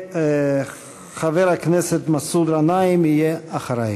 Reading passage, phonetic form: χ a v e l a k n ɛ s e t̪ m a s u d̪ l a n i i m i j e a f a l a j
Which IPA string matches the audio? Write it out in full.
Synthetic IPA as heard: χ a v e ɾ a k n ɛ s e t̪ m a s u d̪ ɾ a n a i m i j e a χ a ɾ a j